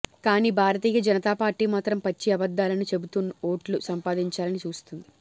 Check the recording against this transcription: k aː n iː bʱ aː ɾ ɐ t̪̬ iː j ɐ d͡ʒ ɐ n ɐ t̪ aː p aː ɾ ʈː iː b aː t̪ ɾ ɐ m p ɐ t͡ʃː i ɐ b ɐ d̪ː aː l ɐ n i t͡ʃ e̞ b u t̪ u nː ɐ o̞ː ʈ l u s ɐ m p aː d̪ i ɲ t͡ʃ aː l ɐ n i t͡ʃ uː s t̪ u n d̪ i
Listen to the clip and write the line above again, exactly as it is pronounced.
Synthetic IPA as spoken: k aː n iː bʱ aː ɾ ɐ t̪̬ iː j ɐ d͡ʒ ɐ n ɐ t̪ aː p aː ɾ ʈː iː m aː t̪ ɾ ɐ m p ɐ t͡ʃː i ɐ b ɐ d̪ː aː l ɐ n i t͡ʃ e̞ b u t̪ u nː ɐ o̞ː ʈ l u s ɐ m p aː d̪ i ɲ t͡ʃ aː l ɐ n i t͡ʃ uː s t̪ u n d̪ i